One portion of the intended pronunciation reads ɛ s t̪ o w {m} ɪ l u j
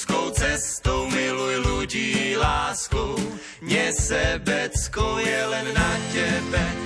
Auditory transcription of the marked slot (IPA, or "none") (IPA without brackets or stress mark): m